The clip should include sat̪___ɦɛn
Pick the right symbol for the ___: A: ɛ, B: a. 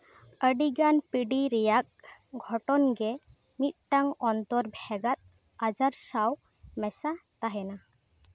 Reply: B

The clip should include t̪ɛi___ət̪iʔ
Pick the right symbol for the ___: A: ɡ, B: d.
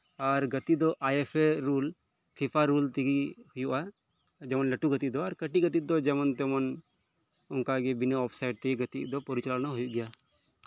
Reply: A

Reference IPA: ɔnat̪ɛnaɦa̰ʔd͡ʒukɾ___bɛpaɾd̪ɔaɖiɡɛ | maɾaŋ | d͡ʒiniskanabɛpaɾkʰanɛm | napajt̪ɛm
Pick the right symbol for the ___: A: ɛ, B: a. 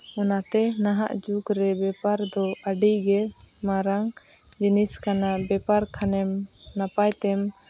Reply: A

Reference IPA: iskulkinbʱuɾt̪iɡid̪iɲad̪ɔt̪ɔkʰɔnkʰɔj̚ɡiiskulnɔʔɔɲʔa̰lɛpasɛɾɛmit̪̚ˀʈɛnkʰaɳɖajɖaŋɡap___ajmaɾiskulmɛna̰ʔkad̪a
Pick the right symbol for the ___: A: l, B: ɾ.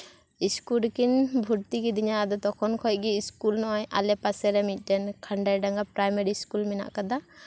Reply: B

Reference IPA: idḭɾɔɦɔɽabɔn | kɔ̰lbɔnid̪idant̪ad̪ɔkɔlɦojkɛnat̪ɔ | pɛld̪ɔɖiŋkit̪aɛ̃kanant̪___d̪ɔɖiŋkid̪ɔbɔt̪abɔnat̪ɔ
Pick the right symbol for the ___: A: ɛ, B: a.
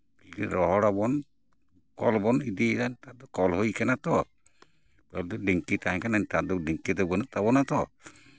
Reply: B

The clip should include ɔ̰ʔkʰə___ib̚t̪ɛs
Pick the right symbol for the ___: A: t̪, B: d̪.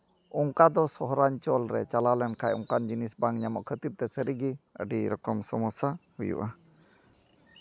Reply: A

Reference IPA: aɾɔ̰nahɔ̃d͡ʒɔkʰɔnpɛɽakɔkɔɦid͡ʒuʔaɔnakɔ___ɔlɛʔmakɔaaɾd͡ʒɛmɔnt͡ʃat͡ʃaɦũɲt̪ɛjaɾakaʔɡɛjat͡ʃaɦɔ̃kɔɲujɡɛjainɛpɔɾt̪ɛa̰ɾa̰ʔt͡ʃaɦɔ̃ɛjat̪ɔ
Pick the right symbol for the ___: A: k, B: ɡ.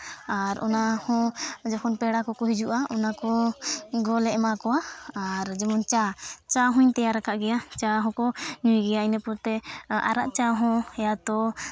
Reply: B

